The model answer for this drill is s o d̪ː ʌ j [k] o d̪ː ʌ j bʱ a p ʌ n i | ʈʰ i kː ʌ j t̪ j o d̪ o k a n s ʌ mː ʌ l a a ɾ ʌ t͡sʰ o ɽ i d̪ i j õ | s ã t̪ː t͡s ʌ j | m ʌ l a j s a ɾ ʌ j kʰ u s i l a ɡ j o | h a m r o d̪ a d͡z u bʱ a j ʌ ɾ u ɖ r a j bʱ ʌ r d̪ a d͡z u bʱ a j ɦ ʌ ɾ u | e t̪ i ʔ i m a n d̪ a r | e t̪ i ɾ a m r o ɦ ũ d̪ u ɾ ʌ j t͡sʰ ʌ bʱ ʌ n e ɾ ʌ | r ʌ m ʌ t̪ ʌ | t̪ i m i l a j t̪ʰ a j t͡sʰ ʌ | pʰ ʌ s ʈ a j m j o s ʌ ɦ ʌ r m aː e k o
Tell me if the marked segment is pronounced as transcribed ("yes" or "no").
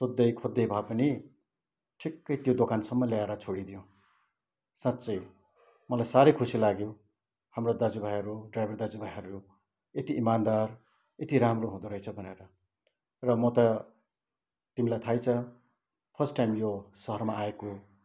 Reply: no